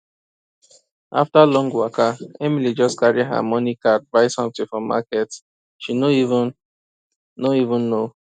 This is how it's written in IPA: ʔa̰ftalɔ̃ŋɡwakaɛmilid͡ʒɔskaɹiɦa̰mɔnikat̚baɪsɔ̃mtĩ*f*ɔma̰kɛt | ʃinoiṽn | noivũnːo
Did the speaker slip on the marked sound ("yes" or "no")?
no